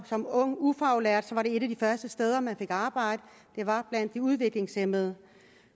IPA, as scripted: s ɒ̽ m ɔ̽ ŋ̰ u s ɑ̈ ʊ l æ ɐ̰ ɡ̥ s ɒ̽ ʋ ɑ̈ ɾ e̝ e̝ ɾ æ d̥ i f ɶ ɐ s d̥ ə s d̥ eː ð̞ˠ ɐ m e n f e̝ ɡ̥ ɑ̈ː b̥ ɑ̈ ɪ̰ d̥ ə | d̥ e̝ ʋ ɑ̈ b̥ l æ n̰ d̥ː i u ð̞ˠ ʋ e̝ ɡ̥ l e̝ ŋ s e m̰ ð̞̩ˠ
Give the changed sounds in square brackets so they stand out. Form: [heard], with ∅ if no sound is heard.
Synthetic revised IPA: s ɒ̽ m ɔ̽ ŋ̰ u [f] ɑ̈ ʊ l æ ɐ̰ [d̥] s ɒ̽ ʋ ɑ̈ ɾ e̝ e̝ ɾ æ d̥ i f ɶ ɐ s d̥ ə s d̥ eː ð̞ˠ ɐ m [æ] n f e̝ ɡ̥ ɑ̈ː b̥ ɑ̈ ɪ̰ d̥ ə | d̥ e̝ ʋ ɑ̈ b̥ l æ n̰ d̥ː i u ð̞ˠ ʋ e̝ ɡ̥ l e̝ ŋ s e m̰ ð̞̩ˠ